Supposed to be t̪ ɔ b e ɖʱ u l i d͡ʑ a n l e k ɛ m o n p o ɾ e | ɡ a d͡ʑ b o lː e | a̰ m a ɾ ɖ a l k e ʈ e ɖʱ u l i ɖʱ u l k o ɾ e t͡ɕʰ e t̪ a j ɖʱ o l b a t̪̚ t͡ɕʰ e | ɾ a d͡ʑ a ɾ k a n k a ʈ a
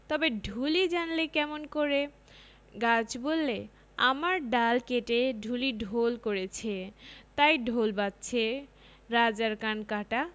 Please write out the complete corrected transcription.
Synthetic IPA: t̪ ɔ b e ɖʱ u l i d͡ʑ a n l e k ɛ m o n k o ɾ e | ɡ a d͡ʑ b o lː e | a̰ m a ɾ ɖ a l k e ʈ e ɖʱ u l i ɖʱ o l k o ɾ e t͡ɕʰ e t̪ a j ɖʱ o l b a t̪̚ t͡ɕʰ e | ɾ a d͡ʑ a ɾ k a n k a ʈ a